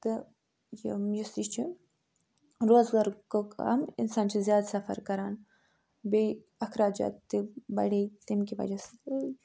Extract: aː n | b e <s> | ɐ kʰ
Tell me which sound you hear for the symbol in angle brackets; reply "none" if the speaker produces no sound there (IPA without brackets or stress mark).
none